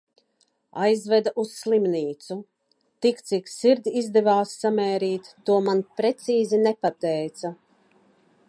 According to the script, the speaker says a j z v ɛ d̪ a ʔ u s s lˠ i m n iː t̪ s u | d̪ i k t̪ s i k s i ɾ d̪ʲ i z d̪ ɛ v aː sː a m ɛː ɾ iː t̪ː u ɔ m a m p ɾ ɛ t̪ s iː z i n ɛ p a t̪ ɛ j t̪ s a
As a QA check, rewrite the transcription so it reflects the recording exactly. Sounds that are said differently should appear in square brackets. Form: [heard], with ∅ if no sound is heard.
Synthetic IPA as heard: a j z v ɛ d̪ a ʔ u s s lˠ i m n iː t̪ s u | [t̪] i k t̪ s i k s i ɾ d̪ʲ i z d̪ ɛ v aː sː a m ɛː ɾ iː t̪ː u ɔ m a [n] p ɾ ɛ t̪ s iː z i n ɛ p a t̪ ɛ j t̪ s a